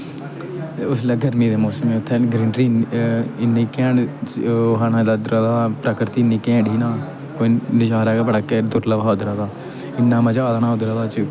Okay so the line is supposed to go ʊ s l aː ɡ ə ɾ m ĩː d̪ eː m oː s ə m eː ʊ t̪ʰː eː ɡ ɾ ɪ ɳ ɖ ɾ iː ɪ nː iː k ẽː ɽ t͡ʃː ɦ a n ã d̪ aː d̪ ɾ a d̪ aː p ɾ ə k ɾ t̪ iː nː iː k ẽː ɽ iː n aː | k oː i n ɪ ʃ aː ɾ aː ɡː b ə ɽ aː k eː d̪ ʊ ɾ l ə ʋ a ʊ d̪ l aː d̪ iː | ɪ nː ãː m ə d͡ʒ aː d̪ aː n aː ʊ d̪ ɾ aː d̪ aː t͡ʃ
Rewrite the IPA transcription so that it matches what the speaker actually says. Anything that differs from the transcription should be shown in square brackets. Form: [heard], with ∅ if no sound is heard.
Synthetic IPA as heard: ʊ s l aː ɡ ə ɾ m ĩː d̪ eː m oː s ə m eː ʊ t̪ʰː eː ɡ ɾ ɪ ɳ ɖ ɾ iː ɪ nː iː k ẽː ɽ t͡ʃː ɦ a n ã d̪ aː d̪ ɾ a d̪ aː p ɾ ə k ɾ t̪ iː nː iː k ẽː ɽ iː n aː | k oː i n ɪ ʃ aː ɾ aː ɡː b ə ɽ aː k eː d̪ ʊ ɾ l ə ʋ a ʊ d̪ [ɾ] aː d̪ [aː] | ɪ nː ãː m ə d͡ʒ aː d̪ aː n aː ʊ d̪ ɾ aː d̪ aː t͡ʃ